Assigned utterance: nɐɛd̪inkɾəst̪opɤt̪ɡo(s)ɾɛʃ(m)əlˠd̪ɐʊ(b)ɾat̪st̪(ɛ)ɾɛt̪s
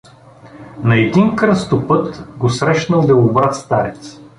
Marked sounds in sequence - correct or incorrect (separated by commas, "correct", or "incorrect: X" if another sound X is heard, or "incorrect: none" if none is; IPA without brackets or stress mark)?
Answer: correct, incorrect: n, correct, incorrect: a